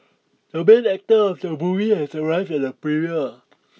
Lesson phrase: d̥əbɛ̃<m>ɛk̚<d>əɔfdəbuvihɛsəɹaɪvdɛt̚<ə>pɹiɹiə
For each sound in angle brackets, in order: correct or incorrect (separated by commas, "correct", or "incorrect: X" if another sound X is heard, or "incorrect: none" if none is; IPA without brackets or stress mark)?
incorrect: n, incorrect: t, correct